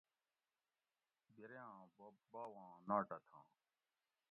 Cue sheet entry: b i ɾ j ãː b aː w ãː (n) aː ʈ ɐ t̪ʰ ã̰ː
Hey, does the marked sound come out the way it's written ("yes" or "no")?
yes